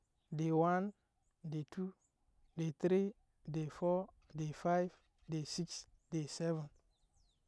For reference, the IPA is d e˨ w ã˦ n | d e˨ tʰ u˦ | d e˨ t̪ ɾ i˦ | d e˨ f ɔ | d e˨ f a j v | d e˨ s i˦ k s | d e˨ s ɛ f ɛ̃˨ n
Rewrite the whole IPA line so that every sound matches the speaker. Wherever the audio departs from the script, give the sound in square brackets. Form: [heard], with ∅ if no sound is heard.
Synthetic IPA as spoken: d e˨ w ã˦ n | d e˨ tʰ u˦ | d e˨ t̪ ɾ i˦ | d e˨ f ɔ | d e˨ f a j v | d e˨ s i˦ k s | d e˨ s ɛ [v] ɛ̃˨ n